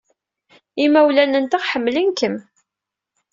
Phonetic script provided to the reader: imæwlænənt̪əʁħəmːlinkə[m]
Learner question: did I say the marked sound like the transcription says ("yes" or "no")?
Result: yes